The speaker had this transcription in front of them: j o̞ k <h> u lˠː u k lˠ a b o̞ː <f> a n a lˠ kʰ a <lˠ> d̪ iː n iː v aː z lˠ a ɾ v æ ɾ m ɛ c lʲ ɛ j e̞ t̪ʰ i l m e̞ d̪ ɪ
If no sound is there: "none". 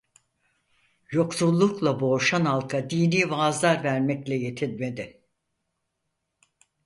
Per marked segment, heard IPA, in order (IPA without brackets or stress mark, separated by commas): s, ʃ, none